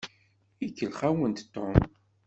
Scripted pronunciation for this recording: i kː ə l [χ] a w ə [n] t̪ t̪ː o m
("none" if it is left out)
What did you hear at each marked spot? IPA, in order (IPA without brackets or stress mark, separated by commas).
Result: χ, n